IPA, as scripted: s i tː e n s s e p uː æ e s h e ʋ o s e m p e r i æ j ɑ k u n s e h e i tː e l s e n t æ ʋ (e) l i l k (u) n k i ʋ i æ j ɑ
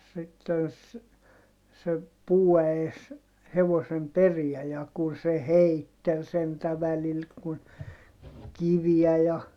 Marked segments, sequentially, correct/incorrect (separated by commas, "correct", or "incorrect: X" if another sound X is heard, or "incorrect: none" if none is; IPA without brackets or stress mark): incorrect: æ, correct